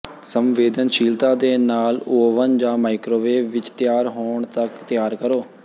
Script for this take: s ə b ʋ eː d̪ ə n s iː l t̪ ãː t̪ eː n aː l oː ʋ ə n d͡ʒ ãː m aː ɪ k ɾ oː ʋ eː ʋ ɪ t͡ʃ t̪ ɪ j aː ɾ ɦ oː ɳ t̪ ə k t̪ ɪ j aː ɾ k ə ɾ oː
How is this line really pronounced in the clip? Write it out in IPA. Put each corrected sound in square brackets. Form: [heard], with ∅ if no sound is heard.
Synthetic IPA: s ə [m] ʋ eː d̪ ə n [ʃ] iː l t̪ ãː [d̪] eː n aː l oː ʋ ə n d͡ʒ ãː m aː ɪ k ɾ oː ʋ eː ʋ ɪ t͡ʃ t̪ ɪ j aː ɾ ɦ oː ɳ t̪ ə k t̪ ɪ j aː ɾ k ə ɾ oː